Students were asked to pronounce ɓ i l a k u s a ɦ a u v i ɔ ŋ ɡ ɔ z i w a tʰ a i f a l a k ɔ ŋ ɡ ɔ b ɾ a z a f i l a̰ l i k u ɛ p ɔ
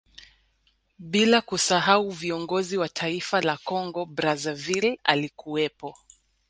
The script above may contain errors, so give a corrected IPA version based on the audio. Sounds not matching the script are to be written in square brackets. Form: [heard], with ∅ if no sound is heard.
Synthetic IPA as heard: ɓ i l a k u s a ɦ a u v i ɔ ŋ ɡ ɔ z i w a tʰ a i f a l a k ɔ ŋ ɡ ɔ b ɾ a z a [v] i l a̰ l i k u ɛ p ɔ